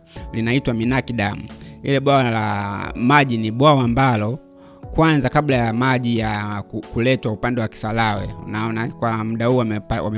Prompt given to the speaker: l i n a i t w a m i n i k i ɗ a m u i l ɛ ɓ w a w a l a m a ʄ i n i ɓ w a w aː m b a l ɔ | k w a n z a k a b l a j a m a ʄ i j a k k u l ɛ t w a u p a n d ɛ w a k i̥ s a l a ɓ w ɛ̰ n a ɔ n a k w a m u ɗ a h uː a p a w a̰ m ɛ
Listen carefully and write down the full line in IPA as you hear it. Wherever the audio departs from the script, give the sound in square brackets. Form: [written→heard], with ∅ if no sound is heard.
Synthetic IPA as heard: l i n a i t w a m i n [i→a] k i ɗ a m u i l ɛ ɓ w a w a l a m a ʄ i n i ɓ w a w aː m b a l ɔ | k w a n z a k a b l a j a m a ʄ i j a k k u l ɛ t w a u p a n d ɛ w a k i̥ s a l a [ɓ→∅] w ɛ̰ n a ɔ n a k w a m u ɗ a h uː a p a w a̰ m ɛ